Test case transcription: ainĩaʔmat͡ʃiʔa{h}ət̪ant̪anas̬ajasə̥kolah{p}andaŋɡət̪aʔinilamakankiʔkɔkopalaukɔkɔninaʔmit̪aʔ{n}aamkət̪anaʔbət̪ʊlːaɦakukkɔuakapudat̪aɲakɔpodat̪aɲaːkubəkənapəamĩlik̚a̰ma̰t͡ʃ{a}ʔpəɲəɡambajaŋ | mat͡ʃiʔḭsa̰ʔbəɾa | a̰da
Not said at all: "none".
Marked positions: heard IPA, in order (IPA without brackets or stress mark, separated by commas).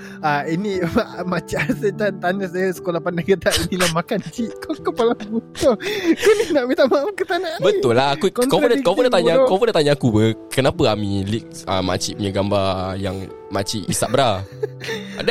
s, p, m, i